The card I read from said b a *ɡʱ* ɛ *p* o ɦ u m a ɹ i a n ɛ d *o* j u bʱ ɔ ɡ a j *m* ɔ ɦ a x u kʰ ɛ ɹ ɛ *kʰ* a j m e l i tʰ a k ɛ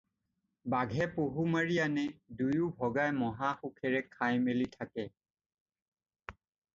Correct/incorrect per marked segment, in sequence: correct, correct, incorrect, correct, correct

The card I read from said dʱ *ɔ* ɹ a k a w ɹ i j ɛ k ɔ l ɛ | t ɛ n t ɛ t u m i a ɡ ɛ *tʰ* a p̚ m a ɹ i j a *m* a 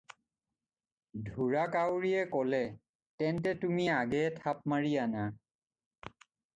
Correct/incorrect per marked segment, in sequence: incorrect, correct, incorrect

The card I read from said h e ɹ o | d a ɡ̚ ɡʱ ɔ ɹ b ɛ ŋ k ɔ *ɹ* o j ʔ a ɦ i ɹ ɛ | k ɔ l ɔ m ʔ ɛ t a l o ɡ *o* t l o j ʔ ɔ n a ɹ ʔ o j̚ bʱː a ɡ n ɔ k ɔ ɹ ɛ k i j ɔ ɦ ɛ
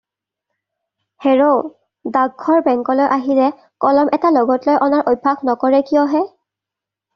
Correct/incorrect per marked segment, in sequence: incorrect, incorrect

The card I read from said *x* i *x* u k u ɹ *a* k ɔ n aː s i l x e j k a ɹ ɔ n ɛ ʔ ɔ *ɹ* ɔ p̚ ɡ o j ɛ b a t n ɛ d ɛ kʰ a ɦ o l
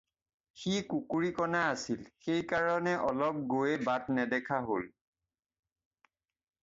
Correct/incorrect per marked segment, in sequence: correct, incorrect, incorrect, incorrect

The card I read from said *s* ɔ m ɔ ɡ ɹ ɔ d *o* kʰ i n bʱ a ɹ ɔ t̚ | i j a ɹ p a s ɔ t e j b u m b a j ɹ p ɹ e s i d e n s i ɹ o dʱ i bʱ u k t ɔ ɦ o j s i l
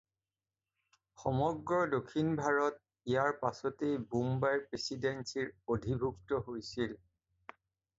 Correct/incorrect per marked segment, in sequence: incorrect, correct

